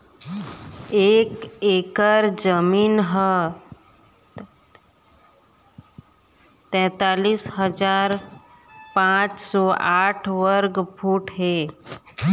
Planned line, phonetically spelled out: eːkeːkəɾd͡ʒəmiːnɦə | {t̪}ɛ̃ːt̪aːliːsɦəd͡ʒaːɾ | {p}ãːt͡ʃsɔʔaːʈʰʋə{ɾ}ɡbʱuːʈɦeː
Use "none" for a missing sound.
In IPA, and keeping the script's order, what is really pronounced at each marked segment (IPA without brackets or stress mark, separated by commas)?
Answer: t̪, p, ɾ